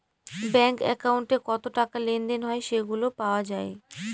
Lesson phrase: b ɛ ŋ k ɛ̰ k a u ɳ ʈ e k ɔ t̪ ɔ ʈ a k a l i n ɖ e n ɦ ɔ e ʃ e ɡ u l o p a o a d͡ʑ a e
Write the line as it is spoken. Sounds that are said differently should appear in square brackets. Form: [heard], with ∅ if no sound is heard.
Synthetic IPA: b ɛ ŋ k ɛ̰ k a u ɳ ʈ e k ɔ t̪ [o] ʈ a k a l [e] n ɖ e n ɦ ɔ e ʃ e ɡ u l o p a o a d͡ʑ a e